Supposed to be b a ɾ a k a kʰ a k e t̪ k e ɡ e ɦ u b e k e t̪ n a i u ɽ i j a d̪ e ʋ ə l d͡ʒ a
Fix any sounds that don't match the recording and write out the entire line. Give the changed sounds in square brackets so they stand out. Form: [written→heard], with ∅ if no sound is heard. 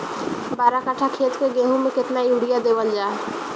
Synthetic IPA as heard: b a ɾ a k a [kʰ→ʈʰ] a [k→kʰ] e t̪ k e ɡ e ɦ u [b→m] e k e t̪ n a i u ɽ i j a d̪ e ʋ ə l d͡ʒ a